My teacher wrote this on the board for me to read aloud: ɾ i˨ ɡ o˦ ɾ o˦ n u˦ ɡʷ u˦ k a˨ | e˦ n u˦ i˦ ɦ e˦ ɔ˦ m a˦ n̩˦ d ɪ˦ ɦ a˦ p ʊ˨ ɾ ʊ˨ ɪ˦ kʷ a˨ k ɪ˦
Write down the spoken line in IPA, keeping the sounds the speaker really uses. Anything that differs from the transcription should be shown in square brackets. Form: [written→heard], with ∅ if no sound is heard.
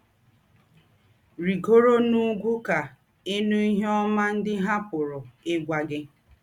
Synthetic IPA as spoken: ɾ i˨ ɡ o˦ ɾ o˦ n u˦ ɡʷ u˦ k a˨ | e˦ n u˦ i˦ ɦ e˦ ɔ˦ m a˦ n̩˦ d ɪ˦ ɦ a˦ p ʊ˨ ɾ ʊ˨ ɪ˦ [kʷ→ɡʷ] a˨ [k→ɡ] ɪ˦